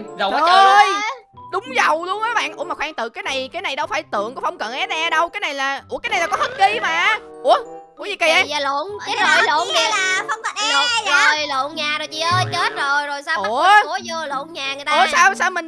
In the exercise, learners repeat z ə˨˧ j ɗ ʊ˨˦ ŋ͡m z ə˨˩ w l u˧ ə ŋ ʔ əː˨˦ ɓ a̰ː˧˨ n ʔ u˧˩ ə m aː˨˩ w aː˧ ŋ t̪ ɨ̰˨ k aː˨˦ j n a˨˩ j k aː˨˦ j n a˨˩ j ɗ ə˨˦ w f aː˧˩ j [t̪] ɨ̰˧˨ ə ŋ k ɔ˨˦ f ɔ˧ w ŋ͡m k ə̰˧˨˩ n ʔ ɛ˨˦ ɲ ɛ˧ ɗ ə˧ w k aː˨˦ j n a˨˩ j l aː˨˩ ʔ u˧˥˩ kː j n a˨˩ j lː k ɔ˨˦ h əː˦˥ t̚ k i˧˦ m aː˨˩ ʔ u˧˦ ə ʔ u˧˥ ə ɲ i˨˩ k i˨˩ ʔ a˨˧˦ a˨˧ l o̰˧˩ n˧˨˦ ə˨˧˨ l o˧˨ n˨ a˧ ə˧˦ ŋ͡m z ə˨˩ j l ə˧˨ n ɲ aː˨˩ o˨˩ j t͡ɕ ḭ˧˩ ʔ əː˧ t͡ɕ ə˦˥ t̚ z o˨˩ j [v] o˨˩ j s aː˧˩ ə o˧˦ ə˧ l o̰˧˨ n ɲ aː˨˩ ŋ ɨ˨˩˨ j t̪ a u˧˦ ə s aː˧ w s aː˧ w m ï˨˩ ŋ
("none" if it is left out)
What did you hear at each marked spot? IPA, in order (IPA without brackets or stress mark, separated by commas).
t̪, z